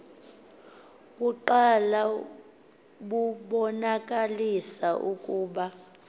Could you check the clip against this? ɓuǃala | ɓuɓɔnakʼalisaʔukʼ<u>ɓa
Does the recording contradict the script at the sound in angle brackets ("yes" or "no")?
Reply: yes